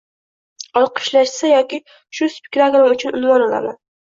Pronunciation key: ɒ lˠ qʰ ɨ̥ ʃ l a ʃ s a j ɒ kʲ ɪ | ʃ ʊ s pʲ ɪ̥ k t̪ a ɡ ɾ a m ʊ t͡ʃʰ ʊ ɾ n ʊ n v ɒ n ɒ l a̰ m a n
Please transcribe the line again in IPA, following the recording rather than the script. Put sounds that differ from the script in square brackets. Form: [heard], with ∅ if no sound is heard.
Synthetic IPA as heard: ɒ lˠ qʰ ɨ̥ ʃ l a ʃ s a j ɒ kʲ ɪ | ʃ ʊ s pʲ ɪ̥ k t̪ a ɡ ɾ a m ʊ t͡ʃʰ ʊ [∅] n ʊ n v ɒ n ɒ l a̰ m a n